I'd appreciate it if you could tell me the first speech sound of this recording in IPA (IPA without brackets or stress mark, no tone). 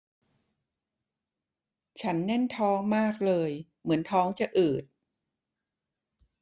t͡ɕʰ